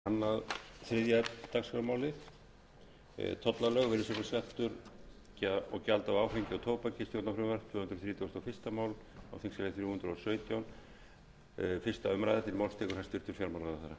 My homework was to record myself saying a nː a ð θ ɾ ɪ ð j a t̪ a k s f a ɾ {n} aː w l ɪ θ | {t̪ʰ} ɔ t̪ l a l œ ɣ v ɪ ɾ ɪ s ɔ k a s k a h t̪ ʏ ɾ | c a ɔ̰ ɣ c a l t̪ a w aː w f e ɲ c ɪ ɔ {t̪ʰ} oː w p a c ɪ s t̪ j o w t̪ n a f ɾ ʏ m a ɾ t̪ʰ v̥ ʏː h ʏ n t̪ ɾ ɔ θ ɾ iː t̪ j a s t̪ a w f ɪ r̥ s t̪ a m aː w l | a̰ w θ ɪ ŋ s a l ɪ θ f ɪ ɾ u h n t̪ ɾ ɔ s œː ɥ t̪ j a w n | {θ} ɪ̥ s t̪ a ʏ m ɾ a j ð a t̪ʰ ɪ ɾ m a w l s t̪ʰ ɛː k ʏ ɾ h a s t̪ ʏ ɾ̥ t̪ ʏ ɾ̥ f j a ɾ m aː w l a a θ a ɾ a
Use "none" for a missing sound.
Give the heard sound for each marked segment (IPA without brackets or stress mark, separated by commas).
m, t̪ʰ, t̪ʰ, f